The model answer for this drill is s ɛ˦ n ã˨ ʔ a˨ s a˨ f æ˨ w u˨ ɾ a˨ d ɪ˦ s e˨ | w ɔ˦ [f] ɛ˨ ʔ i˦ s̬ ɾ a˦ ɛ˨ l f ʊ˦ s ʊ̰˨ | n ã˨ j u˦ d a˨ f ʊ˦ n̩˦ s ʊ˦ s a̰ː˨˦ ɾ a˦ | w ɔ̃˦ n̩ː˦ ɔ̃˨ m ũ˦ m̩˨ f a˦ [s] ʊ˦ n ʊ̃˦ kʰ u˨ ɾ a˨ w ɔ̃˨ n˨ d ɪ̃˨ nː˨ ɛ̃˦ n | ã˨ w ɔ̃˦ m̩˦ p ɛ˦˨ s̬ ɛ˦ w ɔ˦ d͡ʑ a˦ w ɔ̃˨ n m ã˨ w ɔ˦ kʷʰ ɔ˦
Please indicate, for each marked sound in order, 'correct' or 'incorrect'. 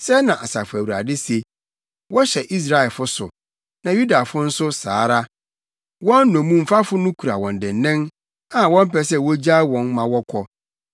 incorrect: ɕ, incorrect: f

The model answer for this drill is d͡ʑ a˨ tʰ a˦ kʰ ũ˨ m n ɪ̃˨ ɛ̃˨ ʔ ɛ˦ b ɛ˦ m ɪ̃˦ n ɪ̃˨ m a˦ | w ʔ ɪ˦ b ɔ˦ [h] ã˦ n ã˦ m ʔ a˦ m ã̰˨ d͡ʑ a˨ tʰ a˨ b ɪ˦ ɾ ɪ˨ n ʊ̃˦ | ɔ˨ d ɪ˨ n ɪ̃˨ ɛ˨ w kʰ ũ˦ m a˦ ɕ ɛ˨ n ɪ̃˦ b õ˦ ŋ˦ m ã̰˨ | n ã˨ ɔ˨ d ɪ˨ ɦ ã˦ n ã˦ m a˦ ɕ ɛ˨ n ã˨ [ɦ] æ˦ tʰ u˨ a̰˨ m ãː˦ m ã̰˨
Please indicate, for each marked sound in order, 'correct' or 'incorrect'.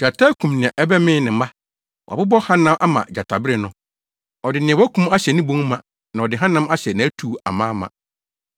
correct, incorrect: none

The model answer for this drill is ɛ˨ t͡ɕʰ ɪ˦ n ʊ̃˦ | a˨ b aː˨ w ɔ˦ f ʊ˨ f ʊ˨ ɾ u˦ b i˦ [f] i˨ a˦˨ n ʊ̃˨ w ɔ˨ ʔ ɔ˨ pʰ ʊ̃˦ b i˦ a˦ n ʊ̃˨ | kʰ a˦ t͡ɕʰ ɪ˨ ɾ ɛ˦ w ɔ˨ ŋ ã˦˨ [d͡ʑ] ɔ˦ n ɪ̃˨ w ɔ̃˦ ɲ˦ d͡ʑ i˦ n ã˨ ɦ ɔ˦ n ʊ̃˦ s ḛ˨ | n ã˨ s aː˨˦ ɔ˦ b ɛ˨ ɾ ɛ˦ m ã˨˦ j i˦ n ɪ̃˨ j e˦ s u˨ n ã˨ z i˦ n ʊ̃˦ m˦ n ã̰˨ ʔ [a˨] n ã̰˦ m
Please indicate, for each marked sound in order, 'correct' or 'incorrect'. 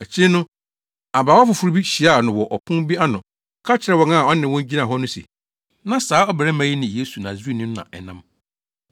incorrect: ɕ, incorrect: none, incorrect: ɛ˨

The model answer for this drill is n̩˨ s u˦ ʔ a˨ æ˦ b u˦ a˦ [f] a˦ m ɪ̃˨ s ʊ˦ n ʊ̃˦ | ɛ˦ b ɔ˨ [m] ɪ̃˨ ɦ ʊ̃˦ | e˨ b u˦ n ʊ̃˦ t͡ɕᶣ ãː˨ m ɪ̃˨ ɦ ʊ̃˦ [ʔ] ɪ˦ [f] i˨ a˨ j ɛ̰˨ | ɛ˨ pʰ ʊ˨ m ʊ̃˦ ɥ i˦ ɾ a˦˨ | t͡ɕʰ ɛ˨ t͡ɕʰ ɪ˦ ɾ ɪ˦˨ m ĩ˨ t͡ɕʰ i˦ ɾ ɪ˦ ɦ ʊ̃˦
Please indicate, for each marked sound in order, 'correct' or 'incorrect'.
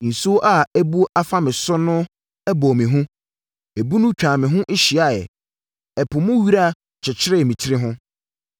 correct, correct, correct, incorrect: ɕ

